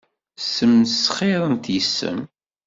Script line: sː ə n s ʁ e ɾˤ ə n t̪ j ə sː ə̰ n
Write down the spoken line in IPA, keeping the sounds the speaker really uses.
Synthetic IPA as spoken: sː ə m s χ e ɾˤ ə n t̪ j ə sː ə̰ m